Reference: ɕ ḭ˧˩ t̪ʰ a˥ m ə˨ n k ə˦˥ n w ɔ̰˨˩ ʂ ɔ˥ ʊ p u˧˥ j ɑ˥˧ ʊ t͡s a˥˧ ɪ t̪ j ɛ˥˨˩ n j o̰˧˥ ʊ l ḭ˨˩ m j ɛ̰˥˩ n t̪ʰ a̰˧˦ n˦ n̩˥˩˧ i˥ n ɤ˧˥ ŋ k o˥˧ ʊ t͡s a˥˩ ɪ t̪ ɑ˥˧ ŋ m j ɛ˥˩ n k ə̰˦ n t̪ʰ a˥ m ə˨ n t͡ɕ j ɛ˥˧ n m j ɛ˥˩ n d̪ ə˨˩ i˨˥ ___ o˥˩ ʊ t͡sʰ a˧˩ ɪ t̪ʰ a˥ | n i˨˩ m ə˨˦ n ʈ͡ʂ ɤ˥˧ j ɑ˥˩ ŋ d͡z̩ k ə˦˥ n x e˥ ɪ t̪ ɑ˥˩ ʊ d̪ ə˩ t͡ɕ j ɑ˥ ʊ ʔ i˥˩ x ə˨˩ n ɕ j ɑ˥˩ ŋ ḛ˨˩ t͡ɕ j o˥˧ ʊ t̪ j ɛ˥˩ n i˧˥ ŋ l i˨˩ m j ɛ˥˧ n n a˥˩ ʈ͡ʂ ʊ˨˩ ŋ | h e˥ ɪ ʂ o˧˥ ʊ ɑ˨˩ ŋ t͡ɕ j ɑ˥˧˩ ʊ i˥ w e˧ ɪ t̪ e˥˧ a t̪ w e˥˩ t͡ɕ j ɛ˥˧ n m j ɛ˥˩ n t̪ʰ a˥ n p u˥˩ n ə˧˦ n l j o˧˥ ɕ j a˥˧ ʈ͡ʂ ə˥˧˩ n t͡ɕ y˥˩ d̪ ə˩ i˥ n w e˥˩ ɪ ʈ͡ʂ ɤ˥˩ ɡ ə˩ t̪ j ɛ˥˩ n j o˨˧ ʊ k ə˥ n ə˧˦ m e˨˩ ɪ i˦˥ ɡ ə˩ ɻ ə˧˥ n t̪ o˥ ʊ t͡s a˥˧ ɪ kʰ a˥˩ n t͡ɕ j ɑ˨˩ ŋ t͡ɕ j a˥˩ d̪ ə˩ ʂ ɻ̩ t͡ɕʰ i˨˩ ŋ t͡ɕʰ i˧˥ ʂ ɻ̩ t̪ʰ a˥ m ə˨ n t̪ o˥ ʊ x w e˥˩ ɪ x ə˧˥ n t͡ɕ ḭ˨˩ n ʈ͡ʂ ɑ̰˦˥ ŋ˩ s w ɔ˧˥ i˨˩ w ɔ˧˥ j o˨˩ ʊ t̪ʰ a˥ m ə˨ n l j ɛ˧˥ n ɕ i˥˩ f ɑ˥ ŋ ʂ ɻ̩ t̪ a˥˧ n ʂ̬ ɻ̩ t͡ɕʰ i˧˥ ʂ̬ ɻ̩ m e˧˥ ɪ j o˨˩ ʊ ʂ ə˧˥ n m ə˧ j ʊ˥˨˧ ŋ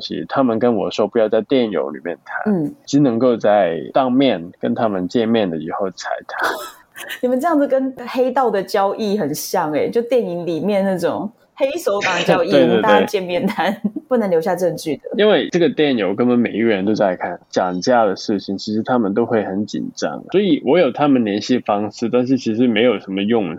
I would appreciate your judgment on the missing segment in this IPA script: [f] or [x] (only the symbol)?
x